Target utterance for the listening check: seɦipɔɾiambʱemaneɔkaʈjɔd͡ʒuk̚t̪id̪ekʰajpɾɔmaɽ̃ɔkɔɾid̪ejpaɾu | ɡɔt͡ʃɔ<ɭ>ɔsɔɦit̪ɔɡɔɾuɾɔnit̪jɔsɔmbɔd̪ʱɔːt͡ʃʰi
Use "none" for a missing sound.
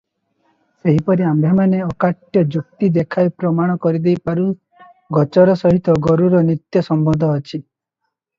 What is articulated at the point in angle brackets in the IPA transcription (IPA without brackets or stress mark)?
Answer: ɾ